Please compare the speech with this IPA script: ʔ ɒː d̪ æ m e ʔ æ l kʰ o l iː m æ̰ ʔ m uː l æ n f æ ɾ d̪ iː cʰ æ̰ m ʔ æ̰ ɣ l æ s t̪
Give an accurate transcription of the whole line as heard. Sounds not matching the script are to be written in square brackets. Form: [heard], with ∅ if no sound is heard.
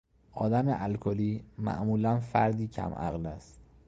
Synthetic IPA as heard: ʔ ɒː d̪ æ m e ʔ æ l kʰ o l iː m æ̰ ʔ m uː l æ n f æ ɾ d̪ iː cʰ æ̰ m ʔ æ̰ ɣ l æ s t̪